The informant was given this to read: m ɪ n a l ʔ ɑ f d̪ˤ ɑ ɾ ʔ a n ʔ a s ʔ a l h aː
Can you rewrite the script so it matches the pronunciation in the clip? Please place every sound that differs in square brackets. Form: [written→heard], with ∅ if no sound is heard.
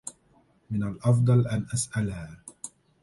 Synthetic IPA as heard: m ɪ n a l ʔ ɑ f d̪ˤ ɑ [ɾ→l] ʔ a n ʔ a s ʔ a l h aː